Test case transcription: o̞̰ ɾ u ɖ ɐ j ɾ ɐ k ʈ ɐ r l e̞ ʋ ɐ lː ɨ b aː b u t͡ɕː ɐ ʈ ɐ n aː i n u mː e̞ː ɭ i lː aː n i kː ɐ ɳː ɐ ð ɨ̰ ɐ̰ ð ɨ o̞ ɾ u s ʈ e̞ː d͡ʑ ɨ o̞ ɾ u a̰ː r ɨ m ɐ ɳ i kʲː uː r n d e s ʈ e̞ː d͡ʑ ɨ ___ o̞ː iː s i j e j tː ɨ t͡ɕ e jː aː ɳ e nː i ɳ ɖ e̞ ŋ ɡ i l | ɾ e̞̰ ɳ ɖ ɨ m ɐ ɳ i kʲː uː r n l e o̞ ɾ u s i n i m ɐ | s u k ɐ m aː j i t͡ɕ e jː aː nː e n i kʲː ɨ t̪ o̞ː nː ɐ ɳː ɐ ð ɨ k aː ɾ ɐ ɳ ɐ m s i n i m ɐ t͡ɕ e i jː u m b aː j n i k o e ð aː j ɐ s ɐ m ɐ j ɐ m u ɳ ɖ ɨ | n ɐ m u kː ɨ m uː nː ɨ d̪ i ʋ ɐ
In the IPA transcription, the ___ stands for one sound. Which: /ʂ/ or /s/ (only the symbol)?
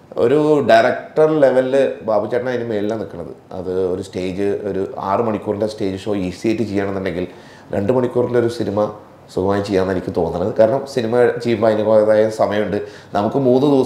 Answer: ʂ